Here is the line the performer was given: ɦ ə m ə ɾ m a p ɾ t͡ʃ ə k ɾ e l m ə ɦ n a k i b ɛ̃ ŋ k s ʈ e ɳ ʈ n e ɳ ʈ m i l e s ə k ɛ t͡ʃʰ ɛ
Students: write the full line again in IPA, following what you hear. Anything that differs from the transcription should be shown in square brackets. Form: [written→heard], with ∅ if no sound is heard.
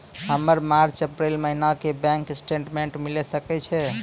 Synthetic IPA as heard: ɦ ə m ə ɾ m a [p→∅] ɾ t͡ʃ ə [k→p] ɾ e l m ə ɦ n a k [i→e] b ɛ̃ ŋ k s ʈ e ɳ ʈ [n→m] e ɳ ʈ m i l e s ə k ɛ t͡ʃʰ ɛ